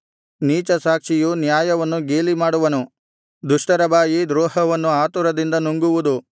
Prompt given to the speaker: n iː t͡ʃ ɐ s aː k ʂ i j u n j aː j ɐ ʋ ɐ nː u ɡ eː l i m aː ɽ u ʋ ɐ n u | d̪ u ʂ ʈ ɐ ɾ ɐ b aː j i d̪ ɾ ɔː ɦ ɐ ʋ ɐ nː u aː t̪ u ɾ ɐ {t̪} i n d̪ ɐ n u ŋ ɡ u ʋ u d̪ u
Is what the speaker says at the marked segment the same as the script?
no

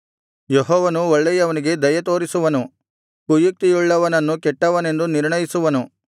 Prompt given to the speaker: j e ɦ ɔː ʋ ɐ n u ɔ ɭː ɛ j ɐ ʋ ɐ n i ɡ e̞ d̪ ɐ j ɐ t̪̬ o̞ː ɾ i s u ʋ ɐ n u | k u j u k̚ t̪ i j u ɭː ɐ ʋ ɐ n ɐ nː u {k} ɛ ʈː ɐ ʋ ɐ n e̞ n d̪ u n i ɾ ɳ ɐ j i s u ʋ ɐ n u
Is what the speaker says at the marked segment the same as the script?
yes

